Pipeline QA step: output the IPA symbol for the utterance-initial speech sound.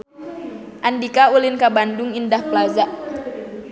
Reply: ʔ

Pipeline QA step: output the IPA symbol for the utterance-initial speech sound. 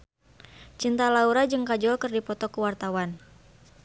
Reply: t͡ʃ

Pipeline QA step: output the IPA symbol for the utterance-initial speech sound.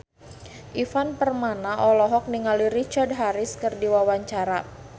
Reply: ʔ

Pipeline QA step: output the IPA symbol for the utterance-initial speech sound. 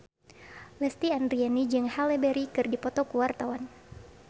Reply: l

